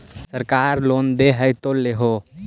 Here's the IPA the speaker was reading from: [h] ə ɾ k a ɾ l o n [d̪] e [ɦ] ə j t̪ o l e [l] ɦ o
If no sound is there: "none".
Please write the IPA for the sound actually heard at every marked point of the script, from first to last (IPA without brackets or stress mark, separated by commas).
s, d̪, ɦ, none